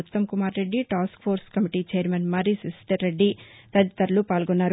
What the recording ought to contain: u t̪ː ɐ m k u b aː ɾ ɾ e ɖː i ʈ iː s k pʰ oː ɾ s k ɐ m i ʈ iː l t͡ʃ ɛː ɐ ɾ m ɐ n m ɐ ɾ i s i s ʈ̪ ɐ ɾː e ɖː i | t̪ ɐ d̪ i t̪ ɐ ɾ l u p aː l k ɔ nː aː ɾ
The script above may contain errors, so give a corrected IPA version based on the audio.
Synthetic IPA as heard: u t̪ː ɐ m k u m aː ɾ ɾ e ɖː i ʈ aː s k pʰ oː ɾ s k ɐ m i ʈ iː t͡ʃ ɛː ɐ ɾ m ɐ n m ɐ ɾ i s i s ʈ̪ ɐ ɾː e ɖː i | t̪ ɐ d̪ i t̪ ɐ ɾ l u p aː l ɡ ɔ nː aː ɾ